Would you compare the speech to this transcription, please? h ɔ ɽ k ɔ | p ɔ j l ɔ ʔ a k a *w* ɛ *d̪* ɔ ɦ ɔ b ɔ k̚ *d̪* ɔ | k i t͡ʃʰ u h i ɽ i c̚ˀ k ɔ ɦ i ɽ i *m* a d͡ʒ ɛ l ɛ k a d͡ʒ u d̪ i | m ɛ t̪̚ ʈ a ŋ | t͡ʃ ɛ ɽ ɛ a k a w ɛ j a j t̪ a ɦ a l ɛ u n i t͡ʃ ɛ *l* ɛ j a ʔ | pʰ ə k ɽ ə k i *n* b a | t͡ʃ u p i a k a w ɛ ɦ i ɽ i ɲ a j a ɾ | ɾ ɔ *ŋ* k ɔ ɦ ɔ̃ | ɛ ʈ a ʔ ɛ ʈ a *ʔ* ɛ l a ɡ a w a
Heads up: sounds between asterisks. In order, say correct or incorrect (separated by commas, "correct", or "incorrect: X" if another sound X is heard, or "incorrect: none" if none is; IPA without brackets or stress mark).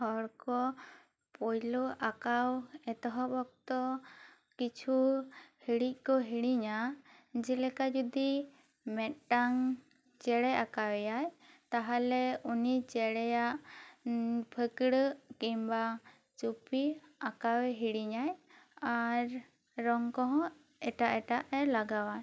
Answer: correct, incorrect: t̪, incorrect: t̪, incorrect: ɲ, incorrect: ɽ, incorrect: m, correct, correct